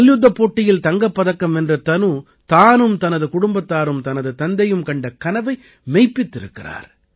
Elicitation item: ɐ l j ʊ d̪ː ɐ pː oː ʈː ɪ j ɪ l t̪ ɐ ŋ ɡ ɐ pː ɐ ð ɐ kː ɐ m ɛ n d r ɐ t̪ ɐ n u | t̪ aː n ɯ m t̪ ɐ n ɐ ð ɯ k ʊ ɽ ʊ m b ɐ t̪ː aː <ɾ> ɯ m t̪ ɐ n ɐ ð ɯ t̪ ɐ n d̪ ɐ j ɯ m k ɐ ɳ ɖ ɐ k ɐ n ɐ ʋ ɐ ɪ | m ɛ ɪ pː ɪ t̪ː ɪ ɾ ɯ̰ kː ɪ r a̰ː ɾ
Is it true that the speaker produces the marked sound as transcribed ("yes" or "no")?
yes